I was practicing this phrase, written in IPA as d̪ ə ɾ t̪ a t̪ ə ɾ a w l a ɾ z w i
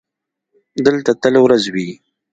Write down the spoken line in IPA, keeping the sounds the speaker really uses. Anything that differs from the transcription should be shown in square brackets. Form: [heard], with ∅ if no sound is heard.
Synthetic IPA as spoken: d̪ ə [l] t̪ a t̪ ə [l] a w [ɾ] a [∅] z w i

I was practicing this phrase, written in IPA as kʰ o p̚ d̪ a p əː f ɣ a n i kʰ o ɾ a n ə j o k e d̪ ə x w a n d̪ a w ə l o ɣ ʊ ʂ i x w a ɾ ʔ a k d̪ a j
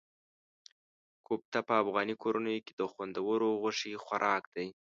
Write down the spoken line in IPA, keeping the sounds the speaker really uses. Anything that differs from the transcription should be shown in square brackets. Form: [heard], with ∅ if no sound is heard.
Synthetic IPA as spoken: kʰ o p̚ [t̪] a p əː f ɣ [ɑ] n i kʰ o ɾ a n ə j o k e d̪ ə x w a n d̪ a w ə [ɾ] o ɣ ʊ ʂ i x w a ɾ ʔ [ɑ] k d̪ a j

